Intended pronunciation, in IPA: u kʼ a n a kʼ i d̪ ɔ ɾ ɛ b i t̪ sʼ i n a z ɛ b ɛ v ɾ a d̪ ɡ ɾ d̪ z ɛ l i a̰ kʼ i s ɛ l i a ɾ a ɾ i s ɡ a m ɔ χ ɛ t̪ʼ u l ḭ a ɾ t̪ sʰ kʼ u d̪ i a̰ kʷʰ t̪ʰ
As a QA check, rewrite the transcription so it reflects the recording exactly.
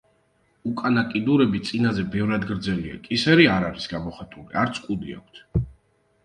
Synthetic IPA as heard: u kʼ a n a kʼ i d̪ u ɾ ɛ b i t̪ sʼ i n a z ɛ b ɛ v ɾ a d̪ ɡ ɾ d̪ z ɛ l i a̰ kʼ i s ɛ ɾ i a ɾ a ɾ i s ɡ a m ɔ χ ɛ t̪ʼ u l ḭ a ɾ t̪ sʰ kʼ u d̪ i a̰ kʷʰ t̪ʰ